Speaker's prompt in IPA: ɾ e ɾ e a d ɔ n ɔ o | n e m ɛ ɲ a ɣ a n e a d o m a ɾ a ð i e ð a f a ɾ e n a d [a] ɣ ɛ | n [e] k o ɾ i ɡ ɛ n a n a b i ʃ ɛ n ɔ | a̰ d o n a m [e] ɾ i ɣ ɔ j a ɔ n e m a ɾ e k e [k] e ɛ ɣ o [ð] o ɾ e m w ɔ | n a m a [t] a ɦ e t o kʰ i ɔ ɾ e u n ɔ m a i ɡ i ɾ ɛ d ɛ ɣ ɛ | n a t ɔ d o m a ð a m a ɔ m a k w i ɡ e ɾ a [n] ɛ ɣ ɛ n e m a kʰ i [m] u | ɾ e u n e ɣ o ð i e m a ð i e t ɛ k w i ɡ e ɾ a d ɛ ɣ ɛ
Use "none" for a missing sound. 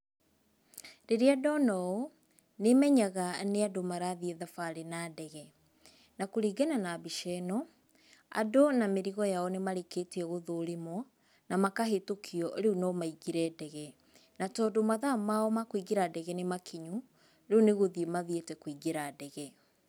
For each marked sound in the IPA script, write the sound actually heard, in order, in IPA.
ɛ, a, e, t, ð, k, d, ɲ

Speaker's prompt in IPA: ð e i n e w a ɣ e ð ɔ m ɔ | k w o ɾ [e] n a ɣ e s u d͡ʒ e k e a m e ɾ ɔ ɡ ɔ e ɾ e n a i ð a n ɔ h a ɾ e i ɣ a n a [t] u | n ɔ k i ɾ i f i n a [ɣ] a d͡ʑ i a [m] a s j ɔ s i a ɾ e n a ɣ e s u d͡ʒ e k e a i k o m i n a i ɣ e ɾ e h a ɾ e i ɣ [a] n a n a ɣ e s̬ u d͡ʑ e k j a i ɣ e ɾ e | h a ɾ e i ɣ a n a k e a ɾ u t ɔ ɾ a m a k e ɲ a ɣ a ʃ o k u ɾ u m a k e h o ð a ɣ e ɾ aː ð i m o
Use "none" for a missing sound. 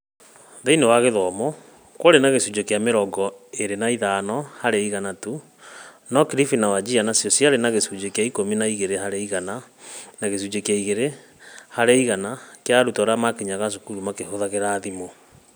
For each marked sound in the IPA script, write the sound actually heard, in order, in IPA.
e, t, w, n, a

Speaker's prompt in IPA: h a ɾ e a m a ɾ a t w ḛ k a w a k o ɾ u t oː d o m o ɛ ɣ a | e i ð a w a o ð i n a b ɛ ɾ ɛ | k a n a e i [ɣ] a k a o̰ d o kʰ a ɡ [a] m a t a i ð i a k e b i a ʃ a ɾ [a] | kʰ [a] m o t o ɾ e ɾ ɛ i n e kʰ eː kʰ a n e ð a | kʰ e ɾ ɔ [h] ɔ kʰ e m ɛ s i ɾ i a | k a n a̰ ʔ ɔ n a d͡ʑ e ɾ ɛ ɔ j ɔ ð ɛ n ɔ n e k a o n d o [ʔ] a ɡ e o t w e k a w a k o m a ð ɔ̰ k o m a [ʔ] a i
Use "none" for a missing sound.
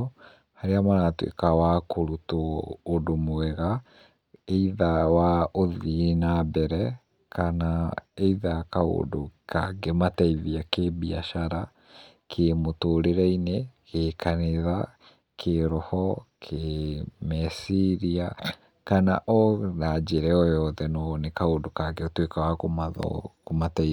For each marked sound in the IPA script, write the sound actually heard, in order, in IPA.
ð, e, a, e, h, k, t

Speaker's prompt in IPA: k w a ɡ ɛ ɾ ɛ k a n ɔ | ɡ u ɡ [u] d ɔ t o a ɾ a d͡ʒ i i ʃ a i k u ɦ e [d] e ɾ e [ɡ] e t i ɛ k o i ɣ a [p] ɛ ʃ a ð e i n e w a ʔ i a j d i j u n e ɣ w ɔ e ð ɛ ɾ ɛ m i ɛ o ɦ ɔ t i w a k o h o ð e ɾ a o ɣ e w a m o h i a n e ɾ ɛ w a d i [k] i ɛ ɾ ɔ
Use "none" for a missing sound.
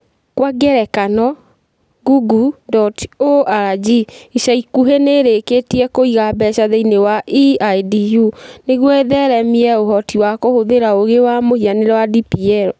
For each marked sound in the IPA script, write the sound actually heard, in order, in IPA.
u, n, k, b, p

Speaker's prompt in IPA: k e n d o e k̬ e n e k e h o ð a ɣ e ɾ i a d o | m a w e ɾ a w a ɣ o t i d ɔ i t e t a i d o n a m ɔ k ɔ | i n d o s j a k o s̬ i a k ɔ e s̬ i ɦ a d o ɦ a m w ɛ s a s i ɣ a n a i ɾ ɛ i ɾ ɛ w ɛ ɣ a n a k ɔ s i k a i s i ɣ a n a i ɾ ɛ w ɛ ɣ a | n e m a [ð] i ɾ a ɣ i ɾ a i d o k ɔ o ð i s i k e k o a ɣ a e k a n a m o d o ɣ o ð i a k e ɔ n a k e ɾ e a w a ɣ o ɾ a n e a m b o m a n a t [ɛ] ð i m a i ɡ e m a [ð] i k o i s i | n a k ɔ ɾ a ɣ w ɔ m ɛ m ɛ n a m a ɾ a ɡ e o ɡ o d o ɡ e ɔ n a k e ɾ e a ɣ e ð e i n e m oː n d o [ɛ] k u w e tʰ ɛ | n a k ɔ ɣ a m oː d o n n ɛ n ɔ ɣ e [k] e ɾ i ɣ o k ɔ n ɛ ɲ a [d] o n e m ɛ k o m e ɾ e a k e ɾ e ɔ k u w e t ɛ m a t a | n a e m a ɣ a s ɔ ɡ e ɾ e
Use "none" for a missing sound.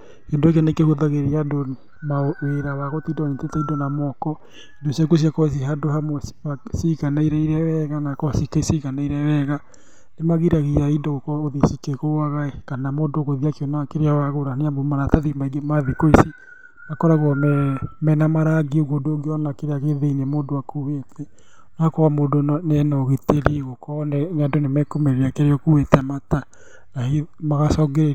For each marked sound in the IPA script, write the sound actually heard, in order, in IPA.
ɣ, a, ð, a, t, d

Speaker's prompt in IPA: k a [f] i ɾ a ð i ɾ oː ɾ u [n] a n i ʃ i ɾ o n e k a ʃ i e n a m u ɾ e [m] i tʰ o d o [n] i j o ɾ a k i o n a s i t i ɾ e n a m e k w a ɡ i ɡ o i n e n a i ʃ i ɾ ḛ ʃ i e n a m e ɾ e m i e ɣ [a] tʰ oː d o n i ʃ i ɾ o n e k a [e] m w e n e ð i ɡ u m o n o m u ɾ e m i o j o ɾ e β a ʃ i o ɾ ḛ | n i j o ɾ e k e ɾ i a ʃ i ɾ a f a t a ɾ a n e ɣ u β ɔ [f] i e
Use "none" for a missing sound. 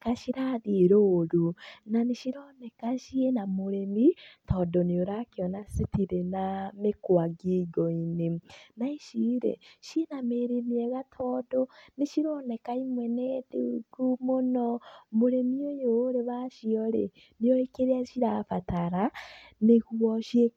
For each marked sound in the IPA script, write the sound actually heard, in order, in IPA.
ʃ, n, m, n, a, i, ʃ

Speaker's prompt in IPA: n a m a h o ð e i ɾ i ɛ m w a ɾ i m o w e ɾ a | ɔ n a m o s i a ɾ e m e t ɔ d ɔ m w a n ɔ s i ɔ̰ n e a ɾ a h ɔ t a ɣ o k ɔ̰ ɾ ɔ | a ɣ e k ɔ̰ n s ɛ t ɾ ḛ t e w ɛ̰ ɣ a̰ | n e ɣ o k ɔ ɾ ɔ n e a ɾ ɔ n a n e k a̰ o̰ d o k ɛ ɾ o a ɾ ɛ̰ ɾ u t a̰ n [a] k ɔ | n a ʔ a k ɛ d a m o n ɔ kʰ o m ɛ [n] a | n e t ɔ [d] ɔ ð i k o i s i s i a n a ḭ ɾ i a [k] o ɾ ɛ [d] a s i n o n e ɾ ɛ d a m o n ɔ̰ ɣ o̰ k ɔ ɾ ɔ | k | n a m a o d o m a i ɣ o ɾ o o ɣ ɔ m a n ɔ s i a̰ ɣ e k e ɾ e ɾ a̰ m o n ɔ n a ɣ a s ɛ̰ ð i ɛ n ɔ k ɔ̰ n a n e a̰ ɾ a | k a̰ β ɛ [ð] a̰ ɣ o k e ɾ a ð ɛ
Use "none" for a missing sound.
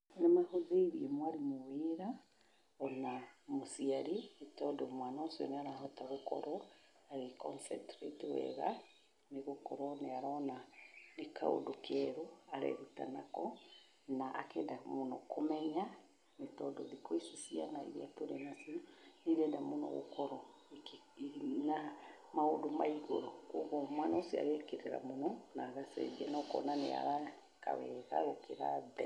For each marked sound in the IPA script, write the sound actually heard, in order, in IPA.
a, ɲ, d, t, n, ɣ

